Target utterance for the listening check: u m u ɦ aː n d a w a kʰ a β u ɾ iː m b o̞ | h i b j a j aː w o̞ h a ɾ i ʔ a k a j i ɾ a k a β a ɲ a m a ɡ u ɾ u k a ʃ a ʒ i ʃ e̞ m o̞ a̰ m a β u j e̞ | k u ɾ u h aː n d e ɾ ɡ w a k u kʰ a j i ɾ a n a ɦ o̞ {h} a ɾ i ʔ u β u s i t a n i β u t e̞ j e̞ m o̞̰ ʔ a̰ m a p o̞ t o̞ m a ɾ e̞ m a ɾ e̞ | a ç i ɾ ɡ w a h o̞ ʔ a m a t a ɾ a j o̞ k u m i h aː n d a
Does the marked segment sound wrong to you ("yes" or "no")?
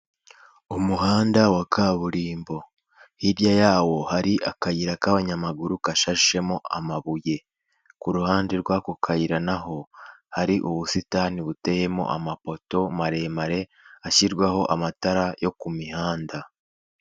no